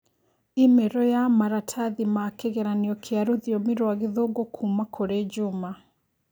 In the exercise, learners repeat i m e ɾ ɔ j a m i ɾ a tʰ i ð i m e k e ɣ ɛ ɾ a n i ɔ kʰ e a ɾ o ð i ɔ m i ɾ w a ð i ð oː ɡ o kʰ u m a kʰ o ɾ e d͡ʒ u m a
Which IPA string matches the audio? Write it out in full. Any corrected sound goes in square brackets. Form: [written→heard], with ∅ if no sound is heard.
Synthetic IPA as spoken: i m e ɾ ɔ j a m [i→a] ɾ a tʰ [i→a] ð i m [e→a] k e ɣ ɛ ɾ a n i ɔ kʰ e a ɾ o ð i ɔ m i ɾ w a [ð→ɣ] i ð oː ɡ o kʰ u m a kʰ o ɾ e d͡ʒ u m a